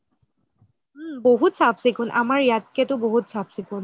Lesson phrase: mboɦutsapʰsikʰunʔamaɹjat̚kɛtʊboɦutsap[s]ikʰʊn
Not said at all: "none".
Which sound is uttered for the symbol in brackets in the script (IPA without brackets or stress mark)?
s